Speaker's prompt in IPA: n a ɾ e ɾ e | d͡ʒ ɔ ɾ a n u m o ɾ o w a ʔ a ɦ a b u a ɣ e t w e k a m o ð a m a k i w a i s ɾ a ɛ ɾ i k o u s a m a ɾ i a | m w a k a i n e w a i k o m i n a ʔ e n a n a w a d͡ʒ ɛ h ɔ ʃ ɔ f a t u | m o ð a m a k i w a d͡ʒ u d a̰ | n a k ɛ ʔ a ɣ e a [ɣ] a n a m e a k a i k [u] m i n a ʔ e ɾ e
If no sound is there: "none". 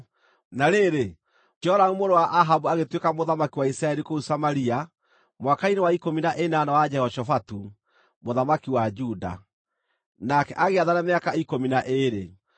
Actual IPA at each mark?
ð, o

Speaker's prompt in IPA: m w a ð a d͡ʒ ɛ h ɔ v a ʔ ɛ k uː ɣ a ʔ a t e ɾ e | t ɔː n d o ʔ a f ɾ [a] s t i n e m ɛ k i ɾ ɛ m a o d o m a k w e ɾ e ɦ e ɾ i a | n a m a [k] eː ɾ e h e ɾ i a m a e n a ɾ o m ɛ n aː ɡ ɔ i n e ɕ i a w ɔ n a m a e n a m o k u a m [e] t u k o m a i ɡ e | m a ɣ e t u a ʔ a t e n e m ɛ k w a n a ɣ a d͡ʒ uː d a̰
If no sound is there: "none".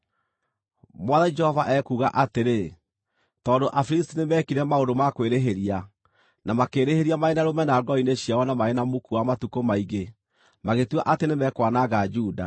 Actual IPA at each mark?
i, k, a

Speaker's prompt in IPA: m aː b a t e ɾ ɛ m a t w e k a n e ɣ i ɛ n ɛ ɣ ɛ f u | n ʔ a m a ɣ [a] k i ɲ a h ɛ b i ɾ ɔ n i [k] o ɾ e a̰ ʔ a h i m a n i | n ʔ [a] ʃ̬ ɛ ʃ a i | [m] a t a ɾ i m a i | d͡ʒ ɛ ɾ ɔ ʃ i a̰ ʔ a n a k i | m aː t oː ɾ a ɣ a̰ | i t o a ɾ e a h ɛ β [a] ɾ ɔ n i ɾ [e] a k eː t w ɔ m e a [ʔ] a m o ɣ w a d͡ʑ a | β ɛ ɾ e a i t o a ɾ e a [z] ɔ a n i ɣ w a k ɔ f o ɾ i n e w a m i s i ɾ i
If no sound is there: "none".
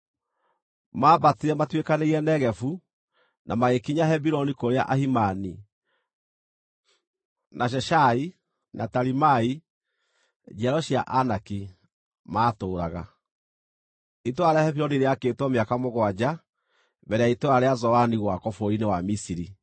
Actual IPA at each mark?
e, k, a, n, i, e, k, z

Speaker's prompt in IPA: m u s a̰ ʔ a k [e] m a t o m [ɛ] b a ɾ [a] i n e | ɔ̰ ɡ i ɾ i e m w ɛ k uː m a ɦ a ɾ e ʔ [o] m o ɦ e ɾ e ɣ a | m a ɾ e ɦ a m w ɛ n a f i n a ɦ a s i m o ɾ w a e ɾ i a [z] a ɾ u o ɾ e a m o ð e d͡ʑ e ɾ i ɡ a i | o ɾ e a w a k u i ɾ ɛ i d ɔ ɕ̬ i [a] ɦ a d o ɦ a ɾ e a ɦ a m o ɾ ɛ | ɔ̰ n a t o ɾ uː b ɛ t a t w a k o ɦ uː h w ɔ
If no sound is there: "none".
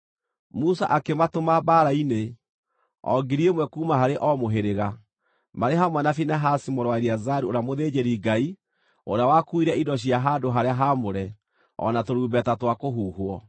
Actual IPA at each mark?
e, a, a, ɔ, z, a

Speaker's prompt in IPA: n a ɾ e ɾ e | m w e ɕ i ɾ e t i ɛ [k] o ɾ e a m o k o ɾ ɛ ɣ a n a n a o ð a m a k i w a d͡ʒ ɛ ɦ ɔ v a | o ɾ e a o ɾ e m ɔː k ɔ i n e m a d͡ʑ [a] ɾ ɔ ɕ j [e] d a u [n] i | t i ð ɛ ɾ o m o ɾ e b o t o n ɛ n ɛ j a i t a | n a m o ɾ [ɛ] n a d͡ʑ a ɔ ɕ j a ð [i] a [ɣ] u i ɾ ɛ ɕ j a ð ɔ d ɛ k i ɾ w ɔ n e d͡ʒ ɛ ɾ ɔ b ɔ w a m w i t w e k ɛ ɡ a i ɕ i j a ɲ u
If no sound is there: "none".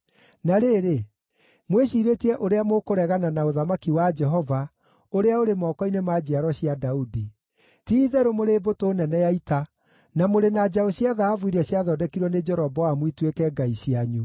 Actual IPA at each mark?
ʔ, a, a, d, e, a, v

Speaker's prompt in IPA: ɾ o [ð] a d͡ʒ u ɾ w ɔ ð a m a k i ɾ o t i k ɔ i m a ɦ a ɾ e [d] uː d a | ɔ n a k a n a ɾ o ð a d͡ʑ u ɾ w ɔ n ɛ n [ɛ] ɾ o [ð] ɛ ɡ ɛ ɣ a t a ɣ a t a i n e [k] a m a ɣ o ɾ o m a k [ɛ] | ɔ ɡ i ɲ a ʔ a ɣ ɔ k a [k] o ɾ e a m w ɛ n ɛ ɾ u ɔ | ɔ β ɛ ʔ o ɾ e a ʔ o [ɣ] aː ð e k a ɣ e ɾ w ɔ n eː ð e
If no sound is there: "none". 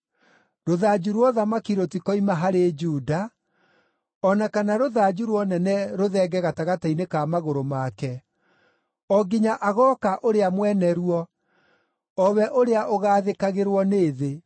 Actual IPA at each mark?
ð, d͡ʒ, ɛ, ð, k, ɛ, ʔ, ɣ

